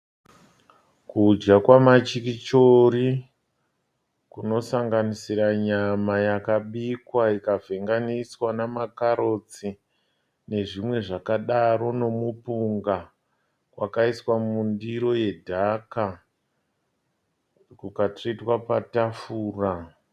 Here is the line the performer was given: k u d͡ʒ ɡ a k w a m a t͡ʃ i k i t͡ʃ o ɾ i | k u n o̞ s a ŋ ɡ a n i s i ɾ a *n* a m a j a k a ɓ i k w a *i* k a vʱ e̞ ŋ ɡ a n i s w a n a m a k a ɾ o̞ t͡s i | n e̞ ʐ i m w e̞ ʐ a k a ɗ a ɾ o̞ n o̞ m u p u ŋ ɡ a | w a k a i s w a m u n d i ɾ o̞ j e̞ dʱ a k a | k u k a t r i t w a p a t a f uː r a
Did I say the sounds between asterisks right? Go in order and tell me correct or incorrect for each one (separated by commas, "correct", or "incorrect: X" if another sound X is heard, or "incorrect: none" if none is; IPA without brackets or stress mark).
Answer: incorrect: ɲ, correct